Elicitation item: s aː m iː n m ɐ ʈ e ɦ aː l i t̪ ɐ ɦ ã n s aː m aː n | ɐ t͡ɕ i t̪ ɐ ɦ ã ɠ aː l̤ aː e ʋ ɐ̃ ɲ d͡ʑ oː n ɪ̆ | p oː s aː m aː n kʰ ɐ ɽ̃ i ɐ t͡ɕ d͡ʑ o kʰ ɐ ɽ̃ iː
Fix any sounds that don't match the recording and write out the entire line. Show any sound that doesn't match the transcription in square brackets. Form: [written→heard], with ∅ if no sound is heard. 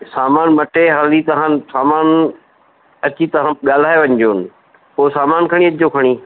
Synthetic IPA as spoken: s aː m [iː→aː] n m ɐ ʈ e ɦ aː l i t̪ ɐ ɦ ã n s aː m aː n | ɐ t͡ɕ i t̪ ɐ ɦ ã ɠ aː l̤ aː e ʋ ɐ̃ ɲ d͡ʑ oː n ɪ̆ | p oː s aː m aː n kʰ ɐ ɽ̃ i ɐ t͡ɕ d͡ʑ o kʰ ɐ ɽ̃ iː